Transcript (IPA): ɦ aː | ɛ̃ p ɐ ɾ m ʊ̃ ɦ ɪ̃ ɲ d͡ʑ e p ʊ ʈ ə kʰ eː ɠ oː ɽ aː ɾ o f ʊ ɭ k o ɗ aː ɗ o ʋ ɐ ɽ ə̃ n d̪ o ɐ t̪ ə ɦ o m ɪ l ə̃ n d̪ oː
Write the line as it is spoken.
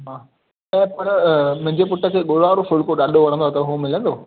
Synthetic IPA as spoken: ɦ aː | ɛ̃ p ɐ ɾ m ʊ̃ ɦ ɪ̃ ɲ d͡ʑ e p ʊ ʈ ə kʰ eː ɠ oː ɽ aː ɾ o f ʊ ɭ k o ɗ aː ɗ o ʋ ɐ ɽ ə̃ n d̪ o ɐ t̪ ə ɦ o m ɪ l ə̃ n d̪ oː